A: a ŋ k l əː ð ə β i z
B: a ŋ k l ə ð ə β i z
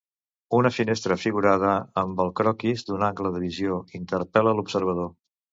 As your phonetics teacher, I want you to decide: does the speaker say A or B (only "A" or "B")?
B